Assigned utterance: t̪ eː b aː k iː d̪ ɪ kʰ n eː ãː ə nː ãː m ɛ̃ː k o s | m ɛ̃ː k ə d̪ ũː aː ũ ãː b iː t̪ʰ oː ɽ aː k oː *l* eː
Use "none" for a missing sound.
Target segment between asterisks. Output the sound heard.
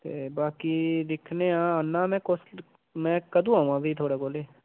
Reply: l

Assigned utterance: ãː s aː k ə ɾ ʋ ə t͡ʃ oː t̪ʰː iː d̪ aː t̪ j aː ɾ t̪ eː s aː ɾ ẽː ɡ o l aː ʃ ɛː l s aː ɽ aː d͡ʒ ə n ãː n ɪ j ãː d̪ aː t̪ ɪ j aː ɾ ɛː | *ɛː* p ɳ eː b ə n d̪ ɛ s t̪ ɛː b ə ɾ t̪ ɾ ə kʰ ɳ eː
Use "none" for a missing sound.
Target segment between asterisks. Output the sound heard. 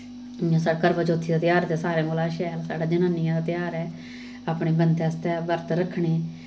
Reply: aː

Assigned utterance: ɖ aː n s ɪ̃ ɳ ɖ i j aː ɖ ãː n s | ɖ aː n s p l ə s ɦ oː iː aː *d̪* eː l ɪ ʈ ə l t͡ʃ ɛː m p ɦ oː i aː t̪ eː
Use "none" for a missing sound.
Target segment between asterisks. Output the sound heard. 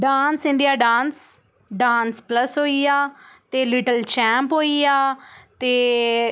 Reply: t̪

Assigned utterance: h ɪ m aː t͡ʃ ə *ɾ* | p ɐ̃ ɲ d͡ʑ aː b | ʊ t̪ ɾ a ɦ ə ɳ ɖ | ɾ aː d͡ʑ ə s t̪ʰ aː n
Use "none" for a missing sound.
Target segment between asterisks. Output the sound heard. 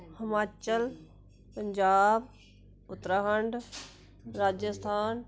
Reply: l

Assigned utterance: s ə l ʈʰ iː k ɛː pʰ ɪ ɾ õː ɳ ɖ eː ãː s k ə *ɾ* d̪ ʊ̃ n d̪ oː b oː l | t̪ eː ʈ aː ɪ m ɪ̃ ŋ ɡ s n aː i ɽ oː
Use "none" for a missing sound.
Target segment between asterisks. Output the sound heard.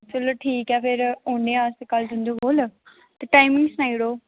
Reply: l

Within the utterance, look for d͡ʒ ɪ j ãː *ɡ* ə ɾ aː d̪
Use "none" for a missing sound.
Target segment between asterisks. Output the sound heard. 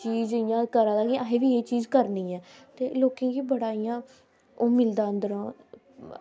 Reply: k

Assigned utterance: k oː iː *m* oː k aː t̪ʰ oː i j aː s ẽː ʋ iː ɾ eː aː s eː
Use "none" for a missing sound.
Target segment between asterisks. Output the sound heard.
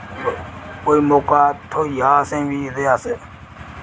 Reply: m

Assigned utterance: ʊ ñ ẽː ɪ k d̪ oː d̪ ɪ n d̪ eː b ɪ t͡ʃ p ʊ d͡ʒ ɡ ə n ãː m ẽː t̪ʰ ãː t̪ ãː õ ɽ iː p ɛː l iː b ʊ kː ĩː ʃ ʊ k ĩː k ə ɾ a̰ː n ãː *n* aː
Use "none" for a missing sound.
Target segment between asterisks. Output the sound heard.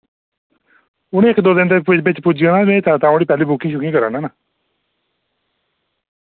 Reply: n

